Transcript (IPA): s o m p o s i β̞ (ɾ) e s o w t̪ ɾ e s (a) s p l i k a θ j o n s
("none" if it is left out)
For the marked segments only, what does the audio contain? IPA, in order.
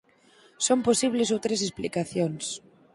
l, e

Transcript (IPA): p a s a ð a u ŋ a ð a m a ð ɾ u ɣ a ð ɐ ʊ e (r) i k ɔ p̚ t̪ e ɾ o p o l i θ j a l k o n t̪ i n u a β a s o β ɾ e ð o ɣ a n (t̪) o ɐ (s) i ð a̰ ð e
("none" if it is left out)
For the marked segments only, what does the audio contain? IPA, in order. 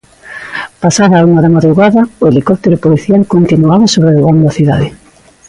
l, d̪, θ

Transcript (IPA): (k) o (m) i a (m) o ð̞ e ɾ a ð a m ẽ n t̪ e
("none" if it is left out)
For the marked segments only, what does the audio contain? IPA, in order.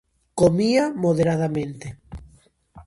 k, m, m

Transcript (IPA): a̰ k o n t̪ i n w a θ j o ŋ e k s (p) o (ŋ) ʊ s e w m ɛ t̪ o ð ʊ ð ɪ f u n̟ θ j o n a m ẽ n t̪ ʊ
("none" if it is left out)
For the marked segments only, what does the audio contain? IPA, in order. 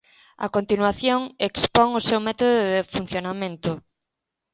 p, ŋ

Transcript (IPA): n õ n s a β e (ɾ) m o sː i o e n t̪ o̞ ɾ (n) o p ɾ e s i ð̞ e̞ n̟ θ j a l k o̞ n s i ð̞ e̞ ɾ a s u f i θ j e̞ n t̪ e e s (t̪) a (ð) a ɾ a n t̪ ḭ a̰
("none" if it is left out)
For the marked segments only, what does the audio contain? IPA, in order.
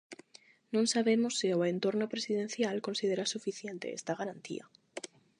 none, n, t̪, ɣ

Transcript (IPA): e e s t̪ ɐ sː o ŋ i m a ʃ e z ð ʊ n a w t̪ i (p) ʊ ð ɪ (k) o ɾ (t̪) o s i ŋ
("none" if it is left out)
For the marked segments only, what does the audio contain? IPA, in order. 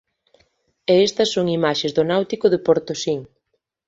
k, p, t̪

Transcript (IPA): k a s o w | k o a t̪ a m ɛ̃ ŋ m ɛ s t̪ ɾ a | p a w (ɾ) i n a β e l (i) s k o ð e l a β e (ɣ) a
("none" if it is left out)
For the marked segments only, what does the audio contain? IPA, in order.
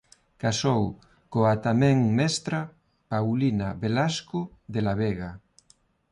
l, a, ɣ

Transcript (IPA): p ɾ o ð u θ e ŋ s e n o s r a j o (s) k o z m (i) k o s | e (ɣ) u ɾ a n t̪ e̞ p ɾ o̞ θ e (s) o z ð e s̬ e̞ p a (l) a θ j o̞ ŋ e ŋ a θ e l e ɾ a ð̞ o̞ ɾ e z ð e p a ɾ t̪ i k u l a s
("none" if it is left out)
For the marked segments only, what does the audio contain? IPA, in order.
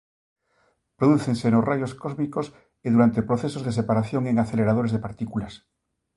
s, i, ð, s, ɾ

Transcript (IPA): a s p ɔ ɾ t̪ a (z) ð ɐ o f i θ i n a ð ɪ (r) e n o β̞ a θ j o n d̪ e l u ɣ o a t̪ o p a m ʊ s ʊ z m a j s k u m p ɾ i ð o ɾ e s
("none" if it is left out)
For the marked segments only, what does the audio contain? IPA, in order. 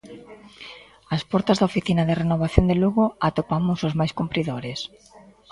z, r

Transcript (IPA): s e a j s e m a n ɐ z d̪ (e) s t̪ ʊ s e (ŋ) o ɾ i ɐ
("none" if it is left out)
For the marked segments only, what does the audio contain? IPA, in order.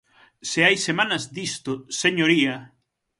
i, ɲ

